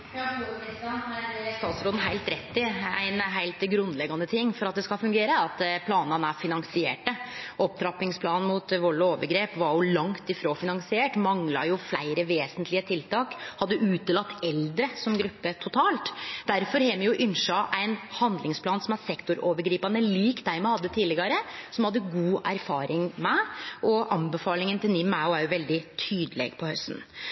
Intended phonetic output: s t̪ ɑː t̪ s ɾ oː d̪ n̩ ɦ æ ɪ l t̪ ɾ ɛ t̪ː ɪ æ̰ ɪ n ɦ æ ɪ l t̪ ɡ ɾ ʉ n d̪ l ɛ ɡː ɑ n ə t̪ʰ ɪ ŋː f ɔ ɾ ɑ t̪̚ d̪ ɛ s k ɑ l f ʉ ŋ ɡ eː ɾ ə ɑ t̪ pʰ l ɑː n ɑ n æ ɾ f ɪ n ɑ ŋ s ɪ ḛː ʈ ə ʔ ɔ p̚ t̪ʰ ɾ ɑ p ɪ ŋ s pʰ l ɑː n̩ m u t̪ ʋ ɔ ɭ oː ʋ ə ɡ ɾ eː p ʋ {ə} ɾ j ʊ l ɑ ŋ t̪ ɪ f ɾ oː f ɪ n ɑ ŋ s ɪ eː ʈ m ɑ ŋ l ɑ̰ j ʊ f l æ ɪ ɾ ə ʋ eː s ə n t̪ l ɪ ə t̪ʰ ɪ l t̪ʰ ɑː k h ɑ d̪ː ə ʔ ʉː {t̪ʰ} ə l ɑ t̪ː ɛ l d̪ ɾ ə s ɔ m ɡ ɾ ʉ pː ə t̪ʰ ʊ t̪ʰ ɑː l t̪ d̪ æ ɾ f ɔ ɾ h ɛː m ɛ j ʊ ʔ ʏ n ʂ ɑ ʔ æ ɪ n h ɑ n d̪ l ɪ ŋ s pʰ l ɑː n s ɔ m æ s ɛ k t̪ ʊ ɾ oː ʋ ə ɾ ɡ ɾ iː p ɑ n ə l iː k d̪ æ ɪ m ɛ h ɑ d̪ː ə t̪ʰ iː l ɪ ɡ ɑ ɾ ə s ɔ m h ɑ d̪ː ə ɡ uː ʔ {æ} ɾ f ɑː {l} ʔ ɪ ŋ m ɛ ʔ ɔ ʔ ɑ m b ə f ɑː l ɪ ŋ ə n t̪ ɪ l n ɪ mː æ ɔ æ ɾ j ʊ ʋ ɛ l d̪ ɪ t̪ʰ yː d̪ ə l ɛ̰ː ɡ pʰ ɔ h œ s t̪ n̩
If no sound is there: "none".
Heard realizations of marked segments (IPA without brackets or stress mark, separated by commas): ɑ, t̪, æ, ɾ